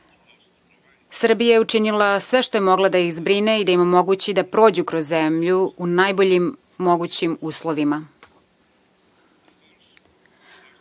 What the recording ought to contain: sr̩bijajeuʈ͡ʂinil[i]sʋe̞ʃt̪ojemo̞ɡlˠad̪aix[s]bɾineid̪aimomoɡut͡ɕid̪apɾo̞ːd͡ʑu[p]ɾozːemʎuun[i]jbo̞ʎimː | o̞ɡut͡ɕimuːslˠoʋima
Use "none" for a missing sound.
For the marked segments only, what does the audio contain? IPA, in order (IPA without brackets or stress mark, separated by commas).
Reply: a, z, k, a